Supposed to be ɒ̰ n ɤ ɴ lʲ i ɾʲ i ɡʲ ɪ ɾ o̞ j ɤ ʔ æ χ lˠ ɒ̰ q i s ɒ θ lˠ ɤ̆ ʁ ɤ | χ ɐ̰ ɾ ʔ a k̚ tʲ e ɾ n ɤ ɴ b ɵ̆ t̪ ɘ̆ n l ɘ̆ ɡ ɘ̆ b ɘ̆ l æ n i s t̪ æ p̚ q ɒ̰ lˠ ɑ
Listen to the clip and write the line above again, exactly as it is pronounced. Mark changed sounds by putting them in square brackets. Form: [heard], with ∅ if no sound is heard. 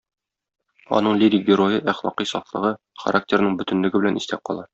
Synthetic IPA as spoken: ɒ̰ n ɤ ɴ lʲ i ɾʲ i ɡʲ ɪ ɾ o̞ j ɤ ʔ æ χ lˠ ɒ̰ q i s ɒ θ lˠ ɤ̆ ʁ ɤ | χ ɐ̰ ɾ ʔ a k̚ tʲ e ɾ n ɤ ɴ b ɵ̆ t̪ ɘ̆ n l ɘ̆ ɡ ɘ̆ b ɘ̆ l æ n i s t̪ æ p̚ q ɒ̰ lˠ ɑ

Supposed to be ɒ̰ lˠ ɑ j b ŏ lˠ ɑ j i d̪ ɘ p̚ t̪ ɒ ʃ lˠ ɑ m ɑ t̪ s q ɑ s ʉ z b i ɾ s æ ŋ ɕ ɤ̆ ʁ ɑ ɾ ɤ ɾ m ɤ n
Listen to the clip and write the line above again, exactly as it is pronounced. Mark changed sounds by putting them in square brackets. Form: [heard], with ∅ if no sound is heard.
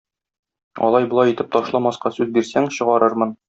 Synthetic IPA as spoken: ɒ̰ lˠ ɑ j b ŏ lˠ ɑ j i [t̪] ɘ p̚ t̪ ɒ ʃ lˠ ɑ m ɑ [∅] s q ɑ s ʉ z b i ɾ s æ ŋ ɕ ɤ̆ ʁ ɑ ɾ ɤ ɾ m ɤ n

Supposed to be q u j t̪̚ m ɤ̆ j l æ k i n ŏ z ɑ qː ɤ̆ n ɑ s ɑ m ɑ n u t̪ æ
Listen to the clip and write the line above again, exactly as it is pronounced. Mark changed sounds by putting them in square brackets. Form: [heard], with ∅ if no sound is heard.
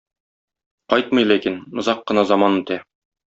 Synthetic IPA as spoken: q [ɒ] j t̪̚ m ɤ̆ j l æ k i n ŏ z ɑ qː ɤ̆ n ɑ [z] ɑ m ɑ n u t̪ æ

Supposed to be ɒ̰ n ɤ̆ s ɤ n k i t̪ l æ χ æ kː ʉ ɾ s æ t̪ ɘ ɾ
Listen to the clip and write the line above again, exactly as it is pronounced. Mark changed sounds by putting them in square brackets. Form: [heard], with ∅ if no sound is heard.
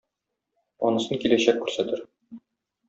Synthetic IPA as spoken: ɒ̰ n ɤ̆ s ɤ n k i [∅] l æ [ɕ] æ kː ʉ ɾ s æ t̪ ɘ ɾ

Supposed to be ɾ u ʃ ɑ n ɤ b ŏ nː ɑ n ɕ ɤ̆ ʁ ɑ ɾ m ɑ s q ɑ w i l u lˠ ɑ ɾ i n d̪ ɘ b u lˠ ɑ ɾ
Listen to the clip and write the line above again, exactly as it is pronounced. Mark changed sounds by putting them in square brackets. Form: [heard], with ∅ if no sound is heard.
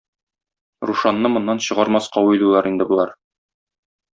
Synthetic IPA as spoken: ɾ u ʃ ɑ [nː] ɤ [m] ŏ nː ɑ n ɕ ɤ̆ ʁ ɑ ɾ m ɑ s q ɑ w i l u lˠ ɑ ɾ i n d̪ ɘ b u lˠ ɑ ɾ

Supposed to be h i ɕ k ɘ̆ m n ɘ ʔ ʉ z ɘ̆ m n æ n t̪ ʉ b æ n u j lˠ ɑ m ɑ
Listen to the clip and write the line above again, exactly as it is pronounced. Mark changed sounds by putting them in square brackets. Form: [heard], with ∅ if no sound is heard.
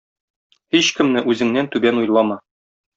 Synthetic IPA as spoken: h i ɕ k ɘ̆ m n ɘ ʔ ʉ z ɘ̆ [ŋ] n æ n t̪ ʉ b æ n u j lˠ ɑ m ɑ

